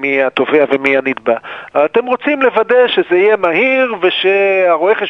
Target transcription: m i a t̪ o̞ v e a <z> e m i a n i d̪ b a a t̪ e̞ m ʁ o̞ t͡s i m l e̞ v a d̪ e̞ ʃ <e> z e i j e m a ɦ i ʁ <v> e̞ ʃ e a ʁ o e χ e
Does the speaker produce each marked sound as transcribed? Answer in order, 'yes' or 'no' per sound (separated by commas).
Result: no, yes, yes